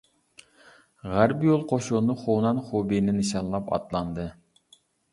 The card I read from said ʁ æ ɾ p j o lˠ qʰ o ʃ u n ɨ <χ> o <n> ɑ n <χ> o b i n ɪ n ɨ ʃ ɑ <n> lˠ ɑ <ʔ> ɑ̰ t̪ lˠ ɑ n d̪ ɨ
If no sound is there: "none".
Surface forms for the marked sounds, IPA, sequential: χ, n, χ, n, p

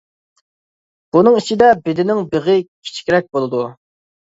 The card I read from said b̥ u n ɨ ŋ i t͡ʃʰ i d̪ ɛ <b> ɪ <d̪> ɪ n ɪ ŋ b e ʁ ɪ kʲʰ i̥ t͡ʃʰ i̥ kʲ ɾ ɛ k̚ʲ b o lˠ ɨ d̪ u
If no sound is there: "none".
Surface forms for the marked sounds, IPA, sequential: b, d̪

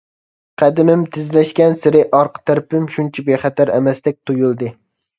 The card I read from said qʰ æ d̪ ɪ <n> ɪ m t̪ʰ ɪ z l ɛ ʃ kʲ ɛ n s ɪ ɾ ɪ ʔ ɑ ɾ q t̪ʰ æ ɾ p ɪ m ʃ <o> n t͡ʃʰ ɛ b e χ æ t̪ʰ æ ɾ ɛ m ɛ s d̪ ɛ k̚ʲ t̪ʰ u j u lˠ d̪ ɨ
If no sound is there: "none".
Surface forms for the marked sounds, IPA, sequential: m, u

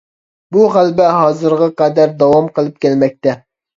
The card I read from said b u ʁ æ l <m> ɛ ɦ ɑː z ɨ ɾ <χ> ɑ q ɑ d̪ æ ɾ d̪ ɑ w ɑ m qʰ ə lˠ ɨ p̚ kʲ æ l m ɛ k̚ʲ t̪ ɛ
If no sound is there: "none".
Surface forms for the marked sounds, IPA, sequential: b, ʁ

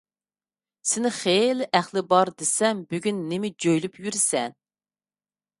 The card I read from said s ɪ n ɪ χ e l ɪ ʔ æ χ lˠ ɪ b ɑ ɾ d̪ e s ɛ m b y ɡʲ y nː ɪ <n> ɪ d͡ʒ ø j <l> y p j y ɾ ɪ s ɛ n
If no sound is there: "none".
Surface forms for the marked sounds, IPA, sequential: m, l

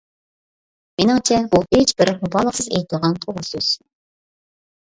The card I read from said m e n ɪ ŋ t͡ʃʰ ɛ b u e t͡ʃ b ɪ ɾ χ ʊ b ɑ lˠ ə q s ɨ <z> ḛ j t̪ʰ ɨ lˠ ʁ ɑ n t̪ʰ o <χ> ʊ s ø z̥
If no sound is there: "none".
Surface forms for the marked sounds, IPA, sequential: z, ʁ

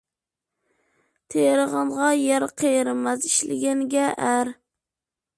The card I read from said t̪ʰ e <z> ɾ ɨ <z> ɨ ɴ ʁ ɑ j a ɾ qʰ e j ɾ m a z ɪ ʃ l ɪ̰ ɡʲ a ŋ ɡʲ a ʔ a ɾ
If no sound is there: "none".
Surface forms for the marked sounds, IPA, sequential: none, ʁ

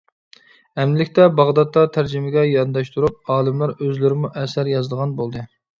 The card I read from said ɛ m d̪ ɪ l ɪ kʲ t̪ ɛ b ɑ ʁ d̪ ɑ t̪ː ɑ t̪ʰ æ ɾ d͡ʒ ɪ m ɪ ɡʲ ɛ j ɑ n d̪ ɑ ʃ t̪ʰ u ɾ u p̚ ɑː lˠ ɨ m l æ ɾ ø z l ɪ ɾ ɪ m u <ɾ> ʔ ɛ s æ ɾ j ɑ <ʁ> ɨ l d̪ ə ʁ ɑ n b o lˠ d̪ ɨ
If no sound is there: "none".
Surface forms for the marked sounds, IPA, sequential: none, z

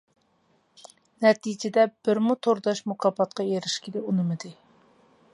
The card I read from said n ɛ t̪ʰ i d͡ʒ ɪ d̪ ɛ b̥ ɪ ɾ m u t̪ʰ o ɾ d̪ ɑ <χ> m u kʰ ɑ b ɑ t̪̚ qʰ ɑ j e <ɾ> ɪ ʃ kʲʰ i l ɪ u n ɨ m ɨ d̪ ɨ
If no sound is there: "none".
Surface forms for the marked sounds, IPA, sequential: ʃ, ɾ

